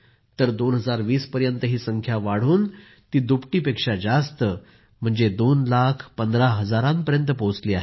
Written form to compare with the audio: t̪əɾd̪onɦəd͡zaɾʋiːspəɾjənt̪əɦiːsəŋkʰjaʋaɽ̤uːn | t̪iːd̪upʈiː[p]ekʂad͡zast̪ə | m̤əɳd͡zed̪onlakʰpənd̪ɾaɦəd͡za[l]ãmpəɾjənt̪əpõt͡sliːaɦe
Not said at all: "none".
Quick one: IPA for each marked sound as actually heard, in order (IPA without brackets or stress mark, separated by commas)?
p, ɾ